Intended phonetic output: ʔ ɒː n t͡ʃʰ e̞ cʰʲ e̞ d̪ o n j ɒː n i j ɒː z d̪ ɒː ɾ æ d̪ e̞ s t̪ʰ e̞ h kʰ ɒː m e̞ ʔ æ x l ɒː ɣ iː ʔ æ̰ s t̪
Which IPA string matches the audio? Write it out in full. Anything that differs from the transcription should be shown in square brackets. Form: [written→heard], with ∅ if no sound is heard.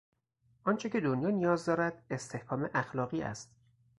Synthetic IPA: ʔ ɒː n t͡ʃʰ e̞ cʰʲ e̞ d̪ o n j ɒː n i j ɒː z d̪ ɒː ɾ æ d̪ e̞ s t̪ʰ e̞ h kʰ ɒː m e̞ ʔ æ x l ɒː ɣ iː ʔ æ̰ s t̪